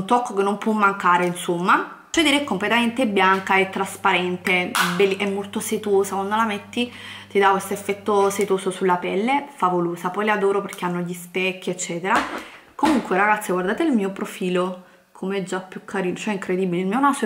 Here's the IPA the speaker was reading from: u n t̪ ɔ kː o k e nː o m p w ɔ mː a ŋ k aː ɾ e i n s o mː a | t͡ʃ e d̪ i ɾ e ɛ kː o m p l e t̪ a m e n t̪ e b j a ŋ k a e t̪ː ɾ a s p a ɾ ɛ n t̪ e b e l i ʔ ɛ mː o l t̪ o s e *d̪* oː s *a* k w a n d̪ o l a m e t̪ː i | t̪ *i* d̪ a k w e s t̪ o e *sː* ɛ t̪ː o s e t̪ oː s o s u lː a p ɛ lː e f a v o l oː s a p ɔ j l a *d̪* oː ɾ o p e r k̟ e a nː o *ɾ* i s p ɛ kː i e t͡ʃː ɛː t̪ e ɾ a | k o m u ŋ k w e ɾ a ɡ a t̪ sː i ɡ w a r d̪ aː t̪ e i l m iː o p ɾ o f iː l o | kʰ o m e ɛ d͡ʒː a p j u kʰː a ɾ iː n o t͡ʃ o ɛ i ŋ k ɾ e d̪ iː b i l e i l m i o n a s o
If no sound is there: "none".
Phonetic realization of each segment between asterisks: t̪, a, i, fː, d̪, ʎ

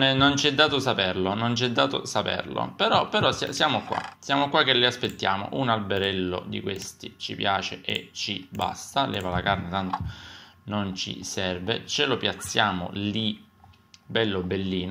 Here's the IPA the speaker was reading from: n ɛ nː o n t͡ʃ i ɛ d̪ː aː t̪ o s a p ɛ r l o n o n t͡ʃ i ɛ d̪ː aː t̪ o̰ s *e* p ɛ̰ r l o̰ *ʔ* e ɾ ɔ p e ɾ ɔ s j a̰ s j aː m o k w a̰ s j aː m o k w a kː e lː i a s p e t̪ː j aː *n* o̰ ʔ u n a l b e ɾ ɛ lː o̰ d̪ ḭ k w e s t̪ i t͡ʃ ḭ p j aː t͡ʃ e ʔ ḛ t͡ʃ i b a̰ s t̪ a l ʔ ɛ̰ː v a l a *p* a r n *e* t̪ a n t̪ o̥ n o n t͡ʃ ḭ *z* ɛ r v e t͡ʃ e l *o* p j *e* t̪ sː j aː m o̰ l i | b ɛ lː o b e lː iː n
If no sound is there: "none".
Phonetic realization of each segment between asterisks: a, p, m, k, e, s, o, a

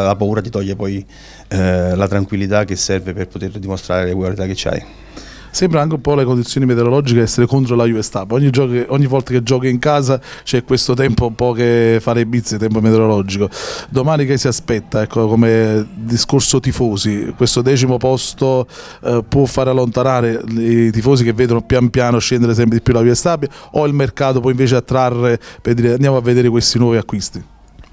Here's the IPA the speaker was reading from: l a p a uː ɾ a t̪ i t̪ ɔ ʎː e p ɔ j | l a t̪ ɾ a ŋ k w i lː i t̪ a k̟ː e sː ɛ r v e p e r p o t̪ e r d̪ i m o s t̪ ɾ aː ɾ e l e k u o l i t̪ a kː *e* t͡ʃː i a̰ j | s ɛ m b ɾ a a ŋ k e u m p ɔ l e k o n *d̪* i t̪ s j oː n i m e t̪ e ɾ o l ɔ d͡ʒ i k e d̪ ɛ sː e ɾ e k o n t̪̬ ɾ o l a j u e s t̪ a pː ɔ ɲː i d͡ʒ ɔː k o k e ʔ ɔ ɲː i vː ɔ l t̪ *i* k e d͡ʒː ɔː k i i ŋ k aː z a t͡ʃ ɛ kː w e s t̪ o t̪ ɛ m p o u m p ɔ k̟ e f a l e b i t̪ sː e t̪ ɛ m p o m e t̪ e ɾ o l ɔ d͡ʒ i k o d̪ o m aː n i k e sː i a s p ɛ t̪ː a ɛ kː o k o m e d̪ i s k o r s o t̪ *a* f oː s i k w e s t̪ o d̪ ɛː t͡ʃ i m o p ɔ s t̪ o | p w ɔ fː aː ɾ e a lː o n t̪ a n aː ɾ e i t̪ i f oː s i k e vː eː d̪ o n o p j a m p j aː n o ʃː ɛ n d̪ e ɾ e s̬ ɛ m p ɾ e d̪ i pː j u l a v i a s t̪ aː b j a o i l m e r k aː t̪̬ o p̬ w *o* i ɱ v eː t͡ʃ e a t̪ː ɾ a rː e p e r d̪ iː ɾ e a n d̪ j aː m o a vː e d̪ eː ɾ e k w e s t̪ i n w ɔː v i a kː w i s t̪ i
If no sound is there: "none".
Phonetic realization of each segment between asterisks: e, d̪, a, i, ɔ

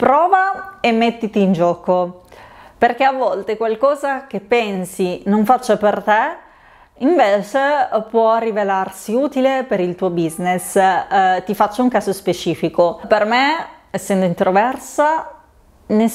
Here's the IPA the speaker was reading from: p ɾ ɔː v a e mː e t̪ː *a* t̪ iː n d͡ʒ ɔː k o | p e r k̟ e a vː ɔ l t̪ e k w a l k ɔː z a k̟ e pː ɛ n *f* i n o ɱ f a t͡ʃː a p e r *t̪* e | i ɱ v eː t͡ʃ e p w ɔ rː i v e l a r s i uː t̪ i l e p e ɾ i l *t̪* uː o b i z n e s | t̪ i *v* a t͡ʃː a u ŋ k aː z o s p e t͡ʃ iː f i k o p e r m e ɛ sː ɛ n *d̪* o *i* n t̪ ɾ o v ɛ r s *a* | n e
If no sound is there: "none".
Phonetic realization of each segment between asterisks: i, s, t̪, t̪, f, d̪, i, a

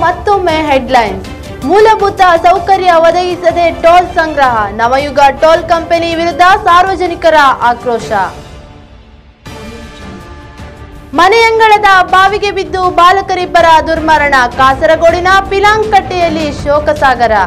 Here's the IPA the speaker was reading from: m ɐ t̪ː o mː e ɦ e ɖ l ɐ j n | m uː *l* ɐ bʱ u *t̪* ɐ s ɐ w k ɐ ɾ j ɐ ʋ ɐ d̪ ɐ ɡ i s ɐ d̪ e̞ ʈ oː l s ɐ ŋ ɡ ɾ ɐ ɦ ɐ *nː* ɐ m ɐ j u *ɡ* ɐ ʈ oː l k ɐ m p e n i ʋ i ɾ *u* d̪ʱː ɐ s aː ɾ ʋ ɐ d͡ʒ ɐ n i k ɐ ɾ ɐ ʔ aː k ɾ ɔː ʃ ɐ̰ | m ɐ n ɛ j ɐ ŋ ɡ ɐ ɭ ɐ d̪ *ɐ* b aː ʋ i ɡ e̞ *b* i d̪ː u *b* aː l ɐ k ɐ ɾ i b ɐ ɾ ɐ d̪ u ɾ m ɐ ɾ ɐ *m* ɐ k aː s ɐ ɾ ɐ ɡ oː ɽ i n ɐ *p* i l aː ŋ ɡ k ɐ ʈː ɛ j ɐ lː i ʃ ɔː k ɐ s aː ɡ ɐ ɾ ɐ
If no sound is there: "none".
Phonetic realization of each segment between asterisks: l, t̪, n, ɡ, u, ɐ, b, b, ɳ, p

